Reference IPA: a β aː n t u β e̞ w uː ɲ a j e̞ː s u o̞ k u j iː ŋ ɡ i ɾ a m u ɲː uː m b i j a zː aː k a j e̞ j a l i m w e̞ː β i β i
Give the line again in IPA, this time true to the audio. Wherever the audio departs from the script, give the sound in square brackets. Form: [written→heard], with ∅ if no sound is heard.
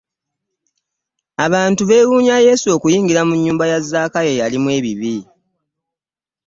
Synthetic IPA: a β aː n t u β e̞ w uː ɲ a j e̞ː s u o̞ k u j iː ŋ ɡ i ɾ a m u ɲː uː m b [i→a] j a zː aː k a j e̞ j a l i m w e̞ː β i β i